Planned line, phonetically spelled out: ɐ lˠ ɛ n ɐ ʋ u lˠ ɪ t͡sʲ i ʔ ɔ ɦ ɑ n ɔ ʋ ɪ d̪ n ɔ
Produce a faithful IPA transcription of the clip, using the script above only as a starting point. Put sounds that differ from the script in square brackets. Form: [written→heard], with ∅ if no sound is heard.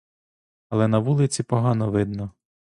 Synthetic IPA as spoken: ɐ lˠ ɛ n ɐ ʋ u lˠ ɪ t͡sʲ i [ʔ→p] ɔ ɦ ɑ n ɔ ʋ ɪ d̪ n ɔ